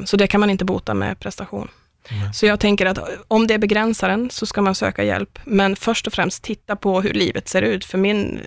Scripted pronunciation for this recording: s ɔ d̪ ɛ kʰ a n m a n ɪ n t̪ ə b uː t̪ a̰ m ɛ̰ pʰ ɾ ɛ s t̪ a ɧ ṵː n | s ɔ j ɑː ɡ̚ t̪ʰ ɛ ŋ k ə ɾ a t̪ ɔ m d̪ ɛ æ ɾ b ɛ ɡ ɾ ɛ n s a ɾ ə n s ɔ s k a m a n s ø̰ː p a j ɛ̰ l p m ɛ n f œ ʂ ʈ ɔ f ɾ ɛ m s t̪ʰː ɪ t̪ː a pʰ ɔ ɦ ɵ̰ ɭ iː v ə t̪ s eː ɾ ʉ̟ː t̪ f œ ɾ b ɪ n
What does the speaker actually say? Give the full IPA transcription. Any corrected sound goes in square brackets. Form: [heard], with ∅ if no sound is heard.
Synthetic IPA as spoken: s ɔ d̪ ɛ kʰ a n m a n ɪ n t̪ ə b uː t̪ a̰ m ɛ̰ pʰ ɾ ɛ s t̪ a ɧ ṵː n | s ɔ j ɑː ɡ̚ t̪ʰ ɛ ŋ k ə ɾ a t̪ ɔ m d̪ ɛ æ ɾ b ɛ ɡ ɾ ɛ n s a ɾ ə n s ɔ s k a m a n s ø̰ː [k] a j ɛ̰ l p m ɛ n f œ ʂ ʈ ɔ f ɾ ɛ m s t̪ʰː ɪ t̪ː a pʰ ɔ ɦ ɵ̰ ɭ iː v ə t̪ s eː ɾ ʉ̟ː t̪ f œ ɾ [m] ɪ n